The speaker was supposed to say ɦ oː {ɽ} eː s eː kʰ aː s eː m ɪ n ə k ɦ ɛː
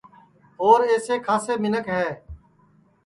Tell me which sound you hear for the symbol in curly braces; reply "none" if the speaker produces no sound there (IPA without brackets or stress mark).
ɾ